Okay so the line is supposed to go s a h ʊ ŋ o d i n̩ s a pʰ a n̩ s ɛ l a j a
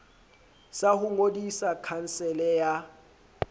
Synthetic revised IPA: s a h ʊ ŋ o d i s a kʰ a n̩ s ɛ l ɛ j a